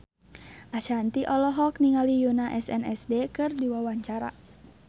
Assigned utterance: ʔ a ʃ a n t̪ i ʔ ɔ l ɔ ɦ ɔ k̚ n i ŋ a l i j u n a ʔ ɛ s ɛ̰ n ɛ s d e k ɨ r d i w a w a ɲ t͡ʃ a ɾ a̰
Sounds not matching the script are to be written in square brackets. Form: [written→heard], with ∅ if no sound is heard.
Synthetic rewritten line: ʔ a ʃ a n t̪ i ʔ ɔ l ɔ ɦ ɔ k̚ n i ŋ a l i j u n a ʔ ɛ s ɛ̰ n ɛ s d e k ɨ r d i w a w a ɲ t͡ʃ a ɾ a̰